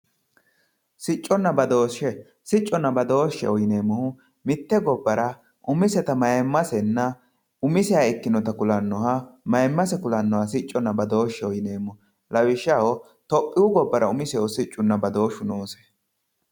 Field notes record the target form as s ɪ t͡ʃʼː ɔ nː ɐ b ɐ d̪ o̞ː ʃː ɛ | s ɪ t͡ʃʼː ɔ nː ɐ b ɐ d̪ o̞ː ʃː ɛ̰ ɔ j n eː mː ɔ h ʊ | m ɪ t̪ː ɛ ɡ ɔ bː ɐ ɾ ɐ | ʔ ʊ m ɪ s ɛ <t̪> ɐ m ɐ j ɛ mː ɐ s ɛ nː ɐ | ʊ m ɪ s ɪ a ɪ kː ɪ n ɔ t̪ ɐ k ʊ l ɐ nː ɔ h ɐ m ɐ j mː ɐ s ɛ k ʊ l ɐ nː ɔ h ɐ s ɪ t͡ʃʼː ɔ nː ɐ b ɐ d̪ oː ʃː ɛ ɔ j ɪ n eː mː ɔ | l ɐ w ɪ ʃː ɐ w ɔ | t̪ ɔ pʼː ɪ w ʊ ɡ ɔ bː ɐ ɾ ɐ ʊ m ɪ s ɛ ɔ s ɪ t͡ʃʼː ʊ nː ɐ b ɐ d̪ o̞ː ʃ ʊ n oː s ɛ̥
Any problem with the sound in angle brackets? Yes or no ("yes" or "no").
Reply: no